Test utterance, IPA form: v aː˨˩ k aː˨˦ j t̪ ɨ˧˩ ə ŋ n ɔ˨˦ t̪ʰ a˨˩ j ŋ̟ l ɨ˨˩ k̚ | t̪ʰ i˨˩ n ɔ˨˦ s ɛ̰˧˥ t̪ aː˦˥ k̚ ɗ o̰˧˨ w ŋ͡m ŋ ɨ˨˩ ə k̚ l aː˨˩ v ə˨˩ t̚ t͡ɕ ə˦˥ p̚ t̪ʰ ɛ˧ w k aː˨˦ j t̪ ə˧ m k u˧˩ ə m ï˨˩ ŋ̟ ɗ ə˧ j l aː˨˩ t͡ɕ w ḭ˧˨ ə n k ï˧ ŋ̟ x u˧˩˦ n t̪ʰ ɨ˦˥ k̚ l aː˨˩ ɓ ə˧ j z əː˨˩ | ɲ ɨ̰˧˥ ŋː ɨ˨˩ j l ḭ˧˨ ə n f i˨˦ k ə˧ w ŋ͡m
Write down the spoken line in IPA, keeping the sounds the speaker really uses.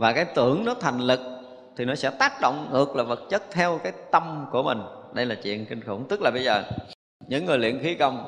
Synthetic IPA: v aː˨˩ k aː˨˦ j t̪ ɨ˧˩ ə ŋ n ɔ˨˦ t̪ʰ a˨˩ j ŋ̟ l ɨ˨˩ k̚ | t̪ʰ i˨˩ n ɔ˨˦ s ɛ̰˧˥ t̪ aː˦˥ k̚ ɗ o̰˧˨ w ŋ͡m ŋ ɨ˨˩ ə k̚ l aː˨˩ v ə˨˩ t̚ t͡ɕ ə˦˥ t̚ t̪ʰ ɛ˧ w k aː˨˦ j t̪ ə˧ m k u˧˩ ə m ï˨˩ ŋ̟ ɗ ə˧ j l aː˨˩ t͡ɕ w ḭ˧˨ ə n k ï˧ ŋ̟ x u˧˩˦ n t̪ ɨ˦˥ k̚ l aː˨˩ ɓ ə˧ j z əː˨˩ | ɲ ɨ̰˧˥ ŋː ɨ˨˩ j l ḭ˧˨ ə n x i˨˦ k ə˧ w ŋ͡m